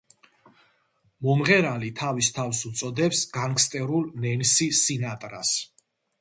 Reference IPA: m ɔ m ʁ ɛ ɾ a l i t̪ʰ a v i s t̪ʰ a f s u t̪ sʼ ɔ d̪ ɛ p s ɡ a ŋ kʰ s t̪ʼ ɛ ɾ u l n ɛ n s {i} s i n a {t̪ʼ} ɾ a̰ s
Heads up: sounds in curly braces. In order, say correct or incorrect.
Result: correct, correct

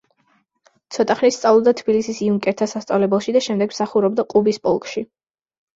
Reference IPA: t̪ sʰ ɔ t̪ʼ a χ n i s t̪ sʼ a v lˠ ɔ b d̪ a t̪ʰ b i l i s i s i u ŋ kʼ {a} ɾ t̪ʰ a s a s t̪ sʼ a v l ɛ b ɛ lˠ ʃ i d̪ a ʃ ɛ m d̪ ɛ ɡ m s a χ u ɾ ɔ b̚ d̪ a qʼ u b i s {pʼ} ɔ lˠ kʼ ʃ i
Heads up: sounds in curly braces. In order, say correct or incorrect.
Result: incorrect, correct

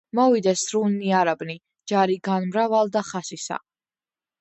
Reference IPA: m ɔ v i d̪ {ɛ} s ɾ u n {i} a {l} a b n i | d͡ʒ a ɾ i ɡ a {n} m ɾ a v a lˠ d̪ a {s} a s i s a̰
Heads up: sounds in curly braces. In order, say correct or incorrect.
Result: correct, correct, incorrect, correct, incorrect

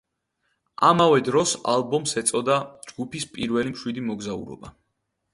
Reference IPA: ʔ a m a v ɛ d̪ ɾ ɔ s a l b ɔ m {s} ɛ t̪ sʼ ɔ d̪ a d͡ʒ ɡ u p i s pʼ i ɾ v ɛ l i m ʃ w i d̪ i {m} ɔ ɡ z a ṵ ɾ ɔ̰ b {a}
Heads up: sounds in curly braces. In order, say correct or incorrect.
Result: correct, correct, correct

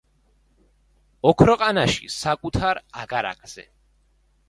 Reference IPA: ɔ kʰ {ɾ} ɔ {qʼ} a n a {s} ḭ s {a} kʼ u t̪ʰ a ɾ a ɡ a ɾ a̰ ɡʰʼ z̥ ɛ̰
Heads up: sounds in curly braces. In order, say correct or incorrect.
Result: correct, correct, incorrect, correct

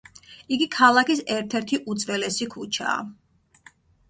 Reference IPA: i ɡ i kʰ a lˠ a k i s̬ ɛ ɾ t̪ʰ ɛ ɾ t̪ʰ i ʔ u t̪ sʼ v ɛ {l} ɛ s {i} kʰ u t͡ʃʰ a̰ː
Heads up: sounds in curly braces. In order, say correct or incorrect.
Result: correct, correct

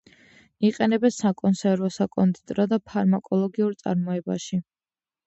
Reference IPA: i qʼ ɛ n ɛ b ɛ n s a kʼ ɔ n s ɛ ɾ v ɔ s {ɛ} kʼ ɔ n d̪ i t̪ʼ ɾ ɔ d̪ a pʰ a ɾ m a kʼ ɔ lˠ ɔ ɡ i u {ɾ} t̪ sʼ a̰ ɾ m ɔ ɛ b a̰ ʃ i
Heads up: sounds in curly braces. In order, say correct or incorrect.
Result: incorrect, correct

